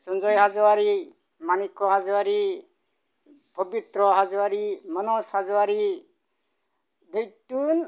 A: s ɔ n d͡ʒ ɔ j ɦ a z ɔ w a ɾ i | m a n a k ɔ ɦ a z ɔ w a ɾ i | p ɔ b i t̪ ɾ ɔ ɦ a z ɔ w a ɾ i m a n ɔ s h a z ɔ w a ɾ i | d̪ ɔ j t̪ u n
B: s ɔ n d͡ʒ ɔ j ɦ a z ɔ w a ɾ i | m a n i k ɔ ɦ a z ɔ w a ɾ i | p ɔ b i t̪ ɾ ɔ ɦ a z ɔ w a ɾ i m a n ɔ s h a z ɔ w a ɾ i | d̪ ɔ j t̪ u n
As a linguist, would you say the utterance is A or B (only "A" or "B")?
B